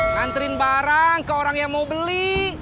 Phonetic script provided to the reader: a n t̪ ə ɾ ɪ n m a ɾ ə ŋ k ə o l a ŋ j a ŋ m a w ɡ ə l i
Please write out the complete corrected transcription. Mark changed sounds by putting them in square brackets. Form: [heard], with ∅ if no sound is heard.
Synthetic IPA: a n t̪ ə ɾ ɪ n [b] a ɾ [a] ŋ k ə o [ɾ] a ŋ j a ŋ m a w [b] ə l i